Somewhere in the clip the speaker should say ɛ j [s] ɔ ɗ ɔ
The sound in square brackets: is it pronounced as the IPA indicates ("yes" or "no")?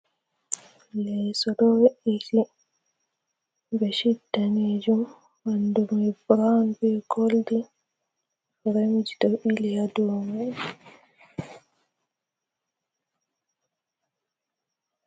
yes